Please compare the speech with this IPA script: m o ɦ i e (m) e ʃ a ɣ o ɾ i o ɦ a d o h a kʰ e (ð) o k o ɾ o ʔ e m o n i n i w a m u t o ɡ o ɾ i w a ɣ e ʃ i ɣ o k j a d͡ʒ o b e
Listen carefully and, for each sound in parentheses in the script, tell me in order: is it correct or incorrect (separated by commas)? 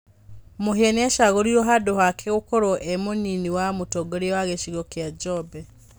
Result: incorrect, incorrect